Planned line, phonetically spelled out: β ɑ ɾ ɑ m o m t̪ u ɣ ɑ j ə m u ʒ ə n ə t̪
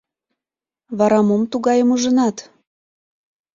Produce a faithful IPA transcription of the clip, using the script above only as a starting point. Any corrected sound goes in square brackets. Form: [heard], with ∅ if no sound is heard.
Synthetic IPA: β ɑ ɾ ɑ m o m t̪ u ɣ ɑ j ə m u ʒ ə n [ɑ] t̪